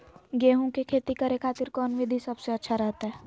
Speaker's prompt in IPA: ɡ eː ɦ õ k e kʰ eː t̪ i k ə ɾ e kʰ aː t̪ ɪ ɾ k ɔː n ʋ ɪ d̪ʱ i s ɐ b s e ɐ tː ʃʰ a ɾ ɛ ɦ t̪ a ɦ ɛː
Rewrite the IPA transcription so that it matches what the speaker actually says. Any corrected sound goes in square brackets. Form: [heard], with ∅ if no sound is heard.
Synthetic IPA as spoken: ɡ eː ɦ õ k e kʰ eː t̪ i k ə ɾ e kʰ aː t̪ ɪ ɾ k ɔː n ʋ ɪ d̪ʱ i s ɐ b s e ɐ tː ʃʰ a ɾ ɛ ɦ t̪ a ɦ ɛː